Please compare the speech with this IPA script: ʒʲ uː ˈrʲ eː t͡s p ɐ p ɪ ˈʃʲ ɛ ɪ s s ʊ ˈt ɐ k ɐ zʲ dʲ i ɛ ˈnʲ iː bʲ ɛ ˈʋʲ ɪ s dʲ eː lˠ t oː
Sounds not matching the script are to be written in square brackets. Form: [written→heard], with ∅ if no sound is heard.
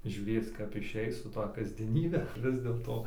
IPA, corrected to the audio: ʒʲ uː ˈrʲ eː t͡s [p→k] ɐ p ɪ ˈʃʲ ɛ ɪ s s ʊ ˈt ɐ k ɐ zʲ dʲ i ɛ ˈnʲ iː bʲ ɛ ˈʋʲ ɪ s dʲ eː lˠ t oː